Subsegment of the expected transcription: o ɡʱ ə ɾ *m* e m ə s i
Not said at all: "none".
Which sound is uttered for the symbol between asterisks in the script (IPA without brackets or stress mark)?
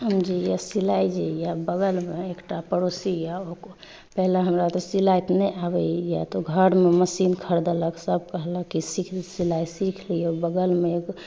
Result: m